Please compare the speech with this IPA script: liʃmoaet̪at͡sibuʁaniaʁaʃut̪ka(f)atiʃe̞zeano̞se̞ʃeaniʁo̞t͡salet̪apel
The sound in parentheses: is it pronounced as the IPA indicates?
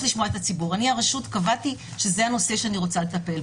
no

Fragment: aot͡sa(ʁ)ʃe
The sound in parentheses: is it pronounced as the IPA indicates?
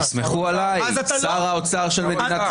yes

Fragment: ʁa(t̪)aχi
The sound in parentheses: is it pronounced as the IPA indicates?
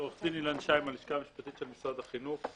no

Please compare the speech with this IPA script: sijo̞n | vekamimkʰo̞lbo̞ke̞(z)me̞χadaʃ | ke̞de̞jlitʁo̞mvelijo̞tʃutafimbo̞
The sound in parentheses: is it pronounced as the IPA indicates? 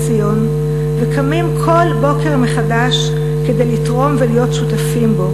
no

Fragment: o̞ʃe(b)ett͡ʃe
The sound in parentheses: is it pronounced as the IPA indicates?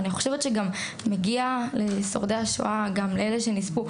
no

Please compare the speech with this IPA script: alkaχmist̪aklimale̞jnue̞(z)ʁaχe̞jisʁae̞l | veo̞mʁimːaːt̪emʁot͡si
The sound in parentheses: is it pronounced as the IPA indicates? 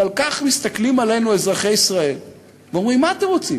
yes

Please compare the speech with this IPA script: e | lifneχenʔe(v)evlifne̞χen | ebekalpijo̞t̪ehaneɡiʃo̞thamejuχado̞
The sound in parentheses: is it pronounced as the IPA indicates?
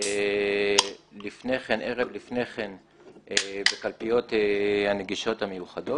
no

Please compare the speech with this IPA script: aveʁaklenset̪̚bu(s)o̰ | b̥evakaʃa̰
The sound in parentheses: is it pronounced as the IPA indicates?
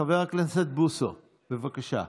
yes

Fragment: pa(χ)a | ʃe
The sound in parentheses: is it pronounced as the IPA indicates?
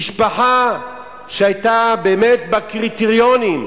no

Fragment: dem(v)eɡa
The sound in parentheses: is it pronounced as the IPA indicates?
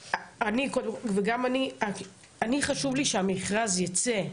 yes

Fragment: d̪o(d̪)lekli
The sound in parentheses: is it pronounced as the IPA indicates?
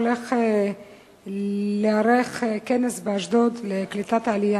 yes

